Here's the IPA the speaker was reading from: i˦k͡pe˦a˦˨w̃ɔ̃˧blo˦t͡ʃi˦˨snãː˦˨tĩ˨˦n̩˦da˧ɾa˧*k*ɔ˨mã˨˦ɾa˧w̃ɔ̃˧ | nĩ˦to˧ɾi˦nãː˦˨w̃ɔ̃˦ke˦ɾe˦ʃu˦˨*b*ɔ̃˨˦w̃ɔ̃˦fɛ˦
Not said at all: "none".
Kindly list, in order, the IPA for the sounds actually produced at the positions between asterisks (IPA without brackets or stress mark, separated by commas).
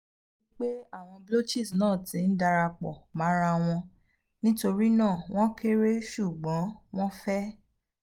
k͡p, ɡ͡b